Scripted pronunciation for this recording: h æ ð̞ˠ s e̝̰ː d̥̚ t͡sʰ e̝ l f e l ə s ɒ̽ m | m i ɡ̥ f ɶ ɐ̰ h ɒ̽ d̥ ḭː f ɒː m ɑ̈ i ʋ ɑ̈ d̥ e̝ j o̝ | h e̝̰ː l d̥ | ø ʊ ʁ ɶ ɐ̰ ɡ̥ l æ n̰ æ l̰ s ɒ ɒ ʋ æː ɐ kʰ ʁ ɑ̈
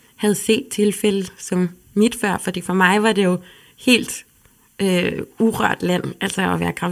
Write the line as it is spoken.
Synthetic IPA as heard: h æ ð̞ˠ s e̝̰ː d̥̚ t͡sʰ e̝ l f e l ə s ɒ̽ m | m i d̥ f ɶ ɐ̰ f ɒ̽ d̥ ḭː f ɒ m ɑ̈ ɪ ʋ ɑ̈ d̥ e̝ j o̝ | h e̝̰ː l d̥ | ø u ʁ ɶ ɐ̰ d̥ l æ n̰ æ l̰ s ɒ ɒ ʋ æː ɐ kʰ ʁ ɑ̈